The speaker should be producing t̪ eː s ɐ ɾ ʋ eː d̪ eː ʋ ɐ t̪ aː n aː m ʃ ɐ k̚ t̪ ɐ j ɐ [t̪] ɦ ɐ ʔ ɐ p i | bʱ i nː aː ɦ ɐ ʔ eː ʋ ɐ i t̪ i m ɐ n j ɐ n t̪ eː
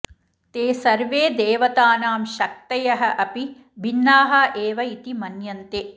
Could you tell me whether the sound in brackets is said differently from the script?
yes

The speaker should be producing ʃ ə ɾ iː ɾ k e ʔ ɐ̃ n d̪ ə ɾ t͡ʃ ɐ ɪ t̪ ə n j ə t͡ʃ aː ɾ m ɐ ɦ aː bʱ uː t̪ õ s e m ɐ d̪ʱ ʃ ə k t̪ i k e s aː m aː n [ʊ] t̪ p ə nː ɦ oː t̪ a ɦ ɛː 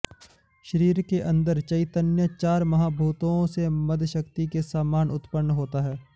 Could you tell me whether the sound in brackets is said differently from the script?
no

